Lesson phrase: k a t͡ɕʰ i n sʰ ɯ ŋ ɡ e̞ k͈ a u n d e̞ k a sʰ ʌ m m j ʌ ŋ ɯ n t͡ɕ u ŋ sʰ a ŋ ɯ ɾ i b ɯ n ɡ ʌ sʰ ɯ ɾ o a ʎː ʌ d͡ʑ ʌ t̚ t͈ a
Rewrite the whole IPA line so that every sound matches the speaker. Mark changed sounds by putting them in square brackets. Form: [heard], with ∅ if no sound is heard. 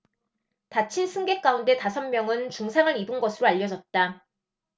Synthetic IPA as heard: [t] a t͡ɕʰ i n sʰ ɯ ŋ ɡ e̞ k͈ a u n d e̞ [t] a sʰ ʌ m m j ʌ ŋ ɯ n t͡ɕ u ŋ sʰ a ŋ ɯ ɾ i b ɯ n ɡ ʌ sʰ ɯ ɾ o a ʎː ʌ d͡ʑ ʌ t̚ t͈ a